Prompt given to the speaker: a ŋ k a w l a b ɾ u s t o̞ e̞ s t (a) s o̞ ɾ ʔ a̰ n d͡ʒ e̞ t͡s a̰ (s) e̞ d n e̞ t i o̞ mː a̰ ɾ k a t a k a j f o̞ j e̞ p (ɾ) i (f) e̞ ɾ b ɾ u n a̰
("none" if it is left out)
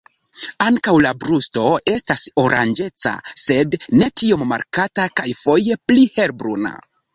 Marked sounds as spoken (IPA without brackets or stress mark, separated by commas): a, s, l, h